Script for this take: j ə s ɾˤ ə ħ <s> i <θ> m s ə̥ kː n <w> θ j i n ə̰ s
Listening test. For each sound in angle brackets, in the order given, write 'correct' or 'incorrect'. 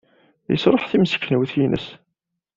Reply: incorrect, incorrect, correct

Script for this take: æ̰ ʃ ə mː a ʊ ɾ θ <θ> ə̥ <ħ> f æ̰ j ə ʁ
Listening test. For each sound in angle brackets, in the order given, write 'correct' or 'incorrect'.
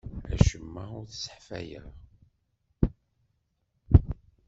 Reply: incorrect, correct

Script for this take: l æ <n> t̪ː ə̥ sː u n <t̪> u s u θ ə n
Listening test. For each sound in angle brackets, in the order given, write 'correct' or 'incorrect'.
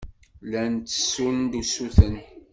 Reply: correct, incorrect

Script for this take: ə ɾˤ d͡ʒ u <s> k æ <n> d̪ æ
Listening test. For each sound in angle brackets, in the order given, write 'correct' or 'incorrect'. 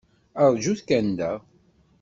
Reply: incorrect, correct

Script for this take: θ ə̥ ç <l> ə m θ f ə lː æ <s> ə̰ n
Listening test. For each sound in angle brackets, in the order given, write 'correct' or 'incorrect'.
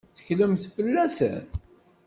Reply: correct, correct

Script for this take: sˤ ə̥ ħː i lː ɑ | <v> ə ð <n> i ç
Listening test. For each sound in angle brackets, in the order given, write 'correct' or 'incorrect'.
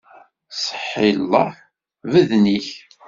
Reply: correct, correct

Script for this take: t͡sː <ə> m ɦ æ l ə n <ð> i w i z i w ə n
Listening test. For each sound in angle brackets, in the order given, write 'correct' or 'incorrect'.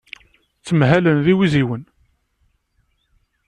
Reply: correct, correct

